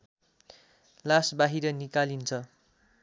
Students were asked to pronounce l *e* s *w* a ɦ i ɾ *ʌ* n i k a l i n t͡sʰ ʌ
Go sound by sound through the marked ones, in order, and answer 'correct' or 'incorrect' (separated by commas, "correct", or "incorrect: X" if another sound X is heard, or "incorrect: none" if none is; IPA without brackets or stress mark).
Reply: incorrect: a, incorrect: b, correct